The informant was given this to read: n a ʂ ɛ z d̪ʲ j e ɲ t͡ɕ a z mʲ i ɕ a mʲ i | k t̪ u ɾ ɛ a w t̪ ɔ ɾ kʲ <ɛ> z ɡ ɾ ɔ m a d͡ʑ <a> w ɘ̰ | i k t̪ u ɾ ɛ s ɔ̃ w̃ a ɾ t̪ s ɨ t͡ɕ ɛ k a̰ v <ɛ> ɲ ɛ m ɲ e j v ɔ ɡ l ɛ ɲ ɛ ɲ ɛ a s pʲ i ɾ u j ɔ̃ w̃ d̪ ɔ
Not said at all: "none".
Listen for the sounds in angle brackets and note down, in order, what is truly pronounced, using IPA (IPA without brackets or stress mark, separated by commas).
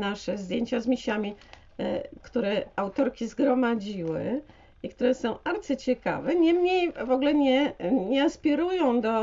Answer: i, i, ɛ